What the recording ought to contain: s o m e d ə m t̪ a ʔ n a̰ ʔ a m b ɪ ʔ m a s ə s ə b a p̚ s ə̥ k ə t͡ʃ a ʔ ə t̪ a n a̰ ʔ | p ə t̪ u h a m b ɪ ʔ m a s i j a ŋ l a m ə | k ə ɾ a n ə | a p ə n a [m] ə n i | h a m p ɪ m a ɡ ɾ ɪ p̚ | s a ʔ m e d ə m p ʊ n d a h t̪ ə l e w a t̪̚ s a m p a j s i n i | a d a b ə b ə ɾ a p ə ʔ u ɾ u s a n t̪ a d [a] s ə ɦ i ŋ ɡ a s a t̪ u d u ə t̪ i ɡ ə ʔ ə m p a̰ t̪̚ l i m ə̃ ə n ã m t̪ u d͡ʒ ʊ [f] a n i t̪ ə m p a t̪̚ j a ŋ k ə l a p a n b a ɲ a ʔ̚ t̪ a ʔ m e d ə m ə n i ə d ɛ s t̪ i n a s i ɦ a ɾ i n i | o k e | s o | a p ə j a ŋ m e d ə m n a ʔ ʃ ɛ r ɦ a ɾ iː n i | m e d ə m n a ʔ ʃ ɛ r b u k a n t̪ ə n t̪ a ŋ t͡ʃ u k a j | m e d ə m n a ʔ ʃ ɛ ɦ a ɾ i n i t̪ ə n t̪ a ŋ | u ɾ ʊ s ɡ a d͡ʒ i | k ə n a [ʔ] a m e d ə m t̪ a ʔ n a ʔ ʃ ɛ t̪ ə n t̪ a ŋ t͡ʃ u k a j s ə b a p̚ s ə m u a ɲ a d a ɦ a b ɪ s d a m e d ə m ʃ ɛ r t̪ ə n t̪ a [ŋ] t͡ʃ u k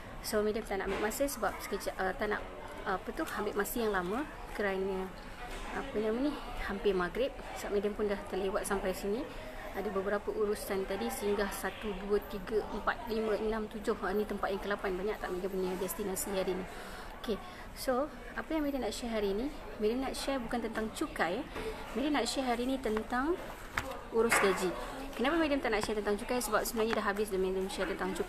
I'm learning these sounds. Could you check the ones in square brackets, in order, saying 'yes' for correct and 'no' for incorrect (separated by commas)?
yes, no, no, no, yes